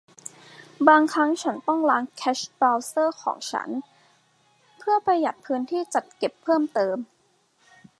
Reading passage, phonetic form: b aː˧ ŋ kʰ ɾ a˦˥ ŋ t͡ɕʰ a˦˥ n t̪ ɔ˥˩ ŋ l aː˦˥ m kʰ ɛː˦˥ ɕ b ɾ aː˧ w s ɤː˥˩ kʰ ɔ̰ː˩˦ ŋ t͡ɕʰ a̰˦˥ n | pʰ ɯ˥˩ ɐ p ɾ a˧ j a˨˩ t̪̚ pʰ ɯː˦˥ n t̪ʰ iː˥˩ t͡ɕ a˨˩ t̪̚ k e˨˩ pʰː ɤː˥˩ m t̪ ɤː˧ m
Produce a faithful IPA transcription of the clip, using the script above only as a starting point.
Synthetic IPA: b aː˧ ŋ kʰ ɾ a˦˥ ŋ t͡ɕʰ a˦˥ n t̪ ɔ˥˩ ŋ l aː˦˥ ŋ kʰ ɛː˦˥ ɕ b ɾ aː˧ w s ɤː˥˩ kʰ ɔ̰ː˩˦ ŋ t͡ɕʰ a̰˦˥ n | pʰ ɯ˥˩ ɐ p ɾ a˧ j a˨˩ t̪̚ pʰ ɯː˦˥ n t̪ʰ iː˥˩ t͡ɕ a˨˩ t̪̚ k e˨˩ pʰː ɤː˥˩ m t̪ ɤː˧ m

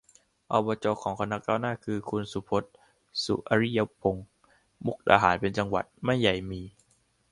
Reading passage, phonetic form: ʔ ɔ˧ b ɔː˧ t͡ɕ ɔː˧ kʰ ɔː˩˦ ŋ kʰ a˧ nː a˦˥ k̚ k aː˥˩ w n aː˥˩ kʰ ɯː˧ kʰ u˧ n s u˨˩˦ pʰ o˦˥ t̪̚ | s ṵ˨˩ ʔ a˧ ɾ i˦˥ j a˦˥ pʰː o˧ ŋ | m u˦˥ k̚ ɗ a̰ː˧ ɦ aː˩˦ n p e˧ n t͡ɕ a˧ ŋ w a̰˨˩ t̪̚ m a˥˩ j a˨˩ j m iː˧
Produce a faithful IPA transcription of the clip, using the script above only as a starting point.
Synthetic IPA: ʔ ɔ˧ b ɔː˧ t͡ɕ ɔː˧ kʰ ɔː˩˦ ŋ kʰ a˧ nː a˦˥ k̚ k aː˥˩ w n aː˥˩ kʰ ɯː˧ kʰ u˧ n s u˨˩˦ pʰ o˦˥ t̪̚ | s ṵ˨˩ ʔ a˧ ɾ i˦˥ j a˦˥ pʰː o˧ ŋ | m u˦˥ k̚ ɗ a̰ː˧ ɦ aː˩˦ n p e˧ n t͡ɕ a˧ ŋ w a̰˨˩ t̪̚ m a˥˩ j a˨˩ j m iː˧

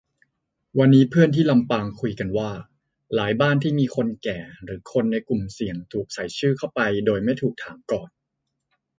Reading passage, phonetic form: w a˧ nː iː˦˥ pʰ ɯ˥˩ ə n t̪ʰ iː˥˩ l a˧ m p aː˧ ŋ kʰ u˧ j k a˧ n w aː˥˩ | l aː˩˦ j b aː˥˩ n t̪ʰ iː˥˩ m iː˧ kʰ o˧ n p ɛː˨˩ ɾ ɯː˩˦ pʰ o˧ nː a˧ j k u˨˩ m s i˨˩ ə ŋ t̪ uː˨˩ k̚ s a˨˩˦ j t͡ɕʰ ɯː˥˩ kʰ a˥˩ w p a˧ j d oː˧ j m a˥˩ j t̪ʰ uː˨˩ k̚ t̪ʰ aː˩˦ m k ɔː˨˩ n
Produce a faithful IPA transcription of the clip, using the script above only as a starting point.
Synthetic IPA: w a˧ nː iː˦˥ pʰ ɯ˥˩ ə n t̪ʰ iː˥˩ l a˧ m p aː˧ ŋ kʰ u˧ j k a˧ n w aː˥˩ | l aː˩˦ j b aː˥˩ n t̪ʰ iː˥˩ m iː˧ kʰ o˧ n k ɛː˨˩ ɾ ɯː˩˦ kʰ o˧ nː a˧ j k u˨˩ m s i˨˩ ə ŋ t̪ʰ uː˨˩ k̚ s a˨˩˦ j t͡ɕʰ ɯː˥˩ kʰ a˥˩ w p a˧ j d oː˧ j m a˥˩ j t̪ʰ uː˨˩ k̚ t̪ʰ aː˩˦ m k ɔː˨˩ n

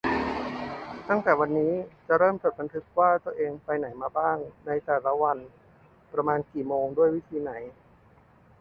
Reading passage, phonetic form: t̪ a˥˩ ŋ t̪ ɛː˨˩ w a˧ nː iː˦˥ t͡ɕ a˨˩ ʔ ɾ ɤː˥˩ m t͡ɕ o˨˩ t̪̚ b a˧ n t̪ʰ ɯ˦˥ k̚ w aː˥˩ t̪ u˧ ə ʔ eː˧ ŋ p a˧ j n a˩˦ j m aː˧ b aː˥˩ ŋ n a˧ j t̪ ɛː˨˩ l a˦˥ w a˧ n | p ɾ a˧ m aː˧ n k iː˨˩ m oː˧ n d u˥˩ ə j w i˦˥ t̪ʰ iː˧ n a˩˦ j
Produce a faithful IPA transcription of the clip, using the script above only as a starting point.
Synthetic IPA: t̪ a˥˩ ŋ t̪ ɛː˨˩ w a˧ nː iː˦˥ t͡ɕ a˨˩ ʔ ɾ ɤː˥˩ m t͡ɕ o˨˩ t̪̚ b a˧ n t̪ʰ ɯ˦˥ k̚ w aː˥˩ t̪ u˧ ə ʔ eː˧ ŋ p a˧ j n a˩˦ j m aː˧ b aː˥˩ ŋ n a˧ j t̪ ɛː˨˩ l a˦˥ w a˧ n | p ɾ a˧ m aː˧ n k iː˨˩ m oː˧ ŋ d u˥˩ ə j w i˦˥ t̪ʰ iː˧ n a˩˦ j

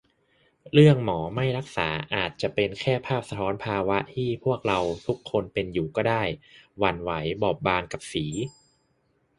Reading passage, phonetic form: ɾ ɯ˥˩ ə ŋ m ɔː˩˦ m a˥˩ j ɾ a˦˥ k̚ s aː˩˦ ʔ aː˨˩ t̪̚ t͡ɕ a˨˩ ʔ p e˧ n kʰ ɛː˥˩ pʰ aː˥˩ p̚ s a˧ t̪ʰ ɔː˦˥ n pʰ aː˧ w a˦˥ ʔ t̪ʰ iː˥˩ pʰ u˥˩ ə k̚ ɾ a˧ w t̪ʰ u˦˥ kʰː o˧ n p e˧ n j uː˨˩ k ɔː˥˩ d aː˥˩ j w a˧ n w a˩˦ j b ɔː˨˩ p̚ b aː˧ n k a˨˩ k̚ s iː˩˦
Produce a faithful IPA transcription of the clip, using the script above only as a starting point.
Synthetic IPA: ɾ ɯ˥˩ ə ŋ m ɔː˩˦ m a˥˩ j ɾ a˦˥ k̚ s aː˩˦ ʔ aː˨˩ t̪̚ t͡ɕ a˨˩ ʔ p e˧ n kʰ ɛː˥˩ pʰ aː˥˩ p̚ s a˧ t̪ʰ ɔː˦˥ n pʰ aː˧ w a˦˥ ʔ t̪ʰ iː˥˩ pʰ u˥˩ ə k̚ ɾ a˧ w t̪ʰ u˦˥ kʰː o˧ n p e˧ n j uː˨˩ k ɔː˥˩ d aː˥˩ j w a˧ n w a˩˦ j b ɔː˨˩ p̚ b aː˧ n k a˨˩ p̚ s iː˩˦

